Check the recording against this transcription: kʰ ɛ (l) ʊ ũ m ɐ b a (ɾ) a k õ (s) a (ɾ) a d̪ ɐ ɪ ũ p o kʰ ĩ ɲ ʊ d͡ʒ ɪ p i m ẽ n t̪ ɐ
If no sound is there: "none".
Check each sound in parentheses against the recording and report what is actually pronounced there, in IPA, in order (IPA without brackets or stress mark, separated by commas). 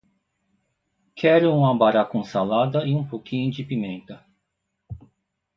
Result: ɾ, ɾ, s, l